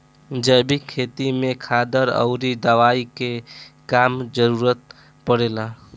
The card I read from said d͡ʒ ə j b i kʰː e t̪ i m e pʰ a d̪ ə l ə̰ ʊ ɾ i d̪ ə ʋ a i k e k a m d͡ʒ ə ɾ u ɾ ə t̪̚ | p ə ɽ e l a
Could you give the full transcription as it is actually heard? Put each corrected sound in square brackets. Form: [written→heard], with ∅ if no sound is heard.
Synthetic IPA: d͡ʒ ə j b i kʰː e t̪ i m e [pʰ→kʰ] a d̪ ə [l→ɾ] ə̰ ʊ ɾ i d̪ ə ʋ a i k e k a m d͡ʒ ə ɾ u ɾ ə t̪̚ | p ə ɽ e l a